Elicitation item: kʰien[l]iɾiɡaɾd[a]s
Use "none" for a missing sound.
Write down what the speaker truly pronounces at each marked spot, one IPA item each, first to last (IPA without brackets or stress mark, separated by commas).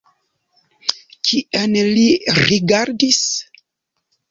l, i